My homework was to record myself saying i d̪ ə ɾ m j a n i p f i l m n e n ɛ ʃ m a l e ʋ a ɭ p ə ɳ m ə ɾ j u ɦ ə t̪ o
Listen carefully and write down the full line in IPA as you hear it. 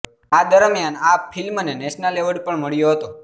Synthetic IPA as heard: a d̪ ə ɾ m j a n a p f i l m n e n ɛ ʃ n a l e ʋ ə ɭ p ə ɳ m ə ɭ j o ɦ ə t̪ o

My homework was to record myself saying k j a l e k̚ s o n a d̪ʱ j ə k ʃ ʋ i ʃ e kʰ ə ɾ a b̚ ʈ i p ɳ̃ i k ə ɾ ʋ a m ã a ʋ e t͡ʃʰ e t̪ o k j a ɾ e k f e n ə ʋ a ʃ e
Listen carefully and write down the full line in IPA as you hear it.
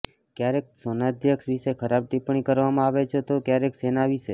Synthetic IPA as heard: k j a ɾ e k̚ s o n a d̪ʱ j ə k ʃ ʋ i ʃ e kʰ ə ɾ a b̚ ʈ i p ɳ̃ i k ə ɾ ʋ a m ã a ʋ e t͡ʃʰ e t̪ o k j a ɾ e k s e n a ʋ i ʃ e

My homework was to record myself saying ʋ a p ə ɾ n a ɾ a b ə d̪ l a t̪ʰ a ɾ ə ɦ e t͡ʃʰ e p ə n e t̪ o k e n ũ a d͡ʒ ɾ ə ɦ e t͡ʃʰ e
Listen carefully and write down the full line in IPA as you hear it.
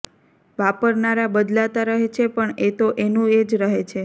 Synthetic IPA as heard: ʋ a p ə ɾ n a ɾ a b ə d̪ l a t̪ a ɾ ə ɦ e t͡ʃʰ e p ə ɳ e t̪ o ʔ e n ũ e d͡ʒ ɾ ə ɦ e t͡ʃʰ e

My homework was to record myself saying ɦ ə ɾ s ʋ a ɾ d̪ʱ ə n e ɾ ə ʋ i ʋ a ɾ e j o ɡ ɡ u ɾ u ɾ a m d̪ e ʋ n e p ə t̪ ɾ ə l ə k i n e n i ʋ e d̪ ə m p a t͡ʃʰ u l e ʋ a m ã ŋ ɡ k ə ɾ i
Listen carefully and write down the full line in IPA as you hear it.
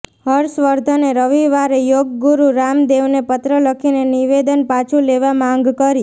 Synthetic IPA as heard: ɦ ə ɾ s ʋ ə ɾ d̪ʱ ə n e ɾ ə ʋ i ʋ a ɾ e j o ɡ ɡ u ɾ u ɾ a m d̪ e ʋ n e p ə t̪ ɾ ə l ə kʰ i n e n i ʋ e d̪ ə n p a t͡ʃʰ u l e ʋ a m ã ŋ ɡ k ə ɾ i

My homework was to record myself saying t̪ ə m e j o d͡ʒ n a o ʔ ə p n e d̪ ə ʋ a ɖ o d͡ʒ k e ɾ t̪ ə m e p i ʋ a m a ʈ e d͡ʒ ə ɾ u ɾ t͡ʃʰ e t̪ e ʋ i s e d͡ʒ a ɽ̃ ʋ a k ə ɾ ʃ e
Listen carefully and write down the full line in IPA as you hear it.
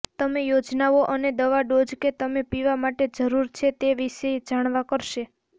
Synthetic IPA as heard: t̪ ə m e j o d͡ʒ n a o ʔ ə n e d̪ ə ʋ a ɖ o d͡ʒ k e t̪ ə m e p i ʋ a m a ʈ e d͡ʒ ə ɾ u ɾ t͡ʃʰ e t̪ e ʋ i ʃ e d͡ʒ a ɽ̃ ʋ a k ə ɾ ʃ e

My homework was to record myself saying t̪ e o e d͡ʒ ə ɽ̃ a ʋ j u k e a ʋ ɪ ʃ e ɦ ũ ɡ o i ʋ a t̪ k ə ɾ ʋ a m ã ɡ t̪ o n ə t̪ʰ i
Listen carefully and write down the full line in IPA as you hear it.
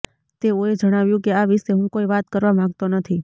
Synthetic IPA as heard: t̪ e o e d͡ʒ ə ɽ̃ a ʋ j ũ k e a ʋ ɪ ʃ e ɦ ũ k o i ʋ a t̪ k ə ɾ ʋ a m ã ɡ t̪ o n ə t̪ʰ i

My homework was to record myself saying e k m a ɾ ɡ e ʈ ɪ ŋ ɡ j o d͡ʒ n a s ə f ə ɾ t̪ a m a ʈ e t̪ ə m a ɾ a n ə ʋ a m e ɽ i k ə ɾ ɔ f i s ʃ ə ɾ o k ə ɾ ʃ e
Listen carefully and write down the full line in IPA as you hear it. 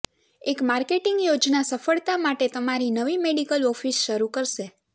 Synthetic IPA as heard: e k m a ɾ k e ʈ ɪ ŋ ɡ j o d͡ʒ n a s ə f ə ɭ t̪ a m a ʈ e t̪ ə m a ɾ i n ə ʋ i m e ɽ i k ə l ɔ f i s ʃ ə ɾ u k ə ɾ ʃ e

